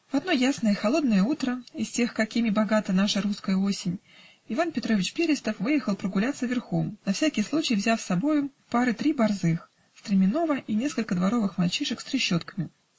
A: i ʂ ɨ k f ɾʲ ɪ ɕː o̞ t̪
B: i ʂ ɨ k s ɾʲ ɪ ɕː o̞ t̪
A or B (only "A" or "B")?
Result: B